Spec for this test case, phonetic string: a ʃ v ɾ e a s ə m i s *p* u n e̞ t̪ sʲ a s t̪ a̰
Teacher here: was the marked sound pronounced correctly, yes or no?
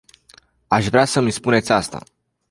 yes